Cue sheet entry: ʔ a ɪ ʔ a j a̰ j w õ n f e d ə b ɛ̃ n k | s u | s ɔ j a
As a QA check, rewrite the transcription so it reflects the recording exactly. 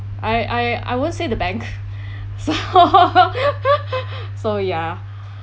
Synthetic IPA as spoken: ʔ a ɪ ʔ a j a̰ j w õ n s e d ə b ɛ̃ ŋ k | s o | s o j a